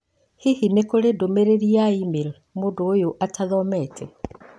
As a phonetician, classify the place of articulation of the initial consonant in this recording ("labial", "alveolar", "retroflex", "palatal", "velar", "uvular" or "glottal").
glottal